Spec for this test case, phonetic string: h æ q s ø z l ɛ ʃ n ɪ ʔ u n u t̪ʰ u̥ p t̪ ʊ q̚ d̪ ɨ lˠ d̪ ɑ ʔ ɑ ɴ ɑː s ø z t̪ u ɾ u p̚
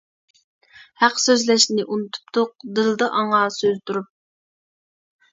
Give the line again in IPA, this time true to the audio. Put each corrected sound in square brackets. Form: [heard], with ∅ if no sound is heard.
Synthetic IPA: h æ q s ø z l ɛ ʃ n ɪ ʔ u n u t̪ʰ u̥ p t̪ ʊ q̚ d̪ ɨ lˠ d̪ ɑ ʔ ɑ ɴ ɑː s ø z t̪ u ɾ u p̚